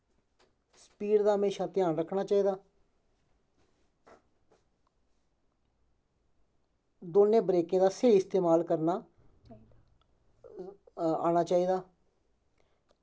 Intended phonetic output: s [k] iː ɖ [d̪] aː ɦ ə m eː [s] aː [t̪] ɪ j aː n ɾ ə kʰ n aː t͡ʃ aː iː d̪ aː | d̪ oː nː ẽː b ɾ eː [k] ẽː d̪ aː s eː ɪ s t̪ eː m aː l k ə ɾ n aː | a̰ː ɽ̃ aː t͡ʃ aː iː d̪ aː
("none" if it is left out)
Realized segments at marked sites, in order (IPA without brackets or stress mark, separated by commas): p, d̪, ʃ, t̪, k